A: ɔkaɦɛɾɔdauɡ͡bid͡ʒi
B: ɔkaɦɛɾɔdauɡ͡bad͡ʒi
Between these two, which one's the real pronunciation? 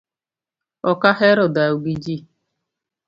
A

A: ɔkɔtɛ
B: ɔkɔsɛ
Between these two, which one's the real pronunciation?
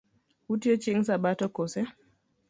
B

